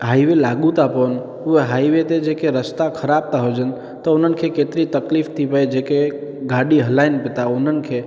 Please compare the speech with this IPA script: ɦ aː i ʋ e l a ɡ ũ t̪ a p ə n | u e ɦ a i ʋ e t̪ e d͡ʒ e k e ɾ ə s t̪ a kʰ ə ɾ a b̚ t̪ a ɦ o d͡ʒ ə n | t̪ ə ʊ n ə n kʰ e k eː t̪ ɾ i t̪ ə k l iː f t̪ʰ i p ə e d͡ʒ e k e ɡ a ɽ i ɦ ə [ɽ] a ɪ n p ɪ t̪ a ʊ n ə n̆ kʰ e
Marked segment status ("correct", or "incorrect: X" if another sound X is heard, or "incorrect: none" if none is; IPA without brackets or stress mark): incorrect: l